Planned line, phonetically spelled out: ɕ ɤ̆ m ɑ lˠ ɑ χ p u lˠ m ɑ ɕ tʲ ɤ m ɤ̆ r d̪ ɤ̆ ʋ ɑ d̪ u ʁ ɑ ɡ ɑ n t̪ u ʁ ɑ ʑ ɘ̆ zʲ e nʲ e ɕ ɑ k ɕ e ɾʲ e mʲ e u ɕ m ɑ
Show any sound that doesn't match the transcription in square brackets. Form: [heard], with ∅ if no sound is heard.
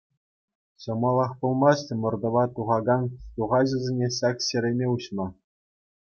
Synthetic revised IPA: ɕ ɤ̆ m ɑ lˠ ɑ χ p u lˠ m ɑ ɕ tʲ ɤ m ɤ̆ r d̪ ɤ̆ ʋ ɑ [t̪] u ʁ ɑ ɡ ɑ n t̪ u ʁ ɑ ʑ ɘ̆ zʲ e nʲ e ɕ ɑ k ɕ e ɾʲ e mʲ e u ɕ m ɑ